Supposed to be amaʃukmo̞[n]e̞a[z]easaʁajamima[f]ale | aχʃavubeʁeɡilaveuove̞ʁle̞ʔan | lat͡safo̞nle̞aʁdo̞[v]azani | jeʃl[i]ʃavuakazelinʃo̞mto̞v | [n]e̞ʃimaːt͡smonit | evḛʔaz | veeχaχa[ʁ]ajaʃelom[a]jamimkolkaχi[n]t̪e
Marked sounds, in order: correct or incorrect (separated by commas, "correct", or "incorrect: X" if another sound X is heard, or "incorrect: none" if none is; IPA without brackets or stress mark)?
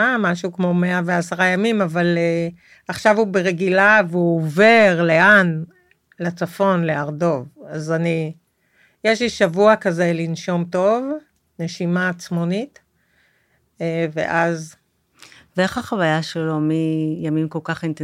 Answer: incorrect: m, incorrect: v, incorrect: v, correct, correct, correct, incorrect: v, incorrect: i, correct